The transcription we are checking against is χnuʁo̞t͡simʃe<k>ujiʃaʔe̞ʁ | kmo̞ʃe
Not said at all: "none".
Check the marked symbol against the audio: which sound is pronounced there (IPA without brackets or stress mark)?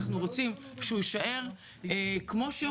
none